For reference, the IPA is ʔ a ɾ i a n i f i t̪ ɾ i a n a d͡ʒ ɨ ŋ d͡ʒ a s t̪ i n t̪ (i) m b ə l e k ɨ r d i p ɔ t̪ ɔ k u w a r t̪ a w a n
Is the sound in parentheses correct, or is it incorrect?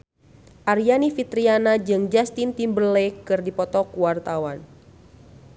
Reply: correct